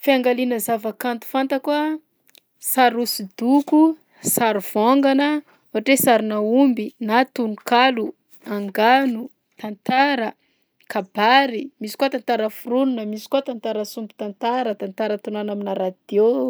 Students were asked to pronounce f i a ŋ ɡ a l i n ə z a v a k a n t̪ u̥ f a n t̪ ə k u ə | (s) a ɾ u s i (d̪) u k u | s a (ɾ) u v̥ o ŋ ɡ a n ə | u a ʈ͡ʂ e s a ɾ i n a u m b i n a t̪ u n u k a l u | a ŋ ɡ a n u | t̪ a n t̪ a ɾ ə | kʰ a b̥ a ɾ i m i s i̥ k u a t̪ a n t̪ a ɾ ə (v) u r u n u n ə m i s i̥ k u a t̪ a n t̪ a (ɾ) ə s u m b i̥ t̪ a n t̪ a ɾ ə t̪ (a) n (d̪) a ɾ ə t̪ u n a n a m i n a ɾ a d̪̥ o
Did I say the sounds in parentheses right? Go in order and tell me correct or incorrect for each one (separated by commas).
correct, correct, correct, incorrect, correct, correct, incorrect